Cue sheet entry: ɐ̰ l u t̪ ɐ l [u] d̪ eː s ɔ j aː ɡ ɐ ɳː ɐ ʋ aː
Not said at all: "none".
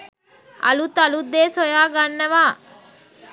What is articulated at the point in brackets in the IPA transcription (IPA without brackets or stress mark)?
u